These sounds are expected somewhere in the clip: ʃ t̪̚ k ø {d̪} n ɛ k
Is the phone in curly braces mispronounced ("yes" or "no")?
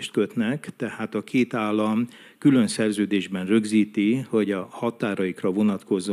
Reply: yes